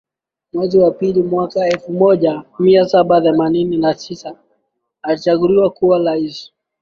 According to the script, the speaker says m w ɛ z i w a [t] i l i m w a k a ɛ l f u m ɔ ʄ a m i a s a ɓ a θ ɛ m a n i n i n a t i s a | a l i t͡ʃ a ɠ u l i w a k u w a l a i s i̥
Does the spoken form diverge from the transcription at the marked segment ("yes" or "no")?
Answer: yes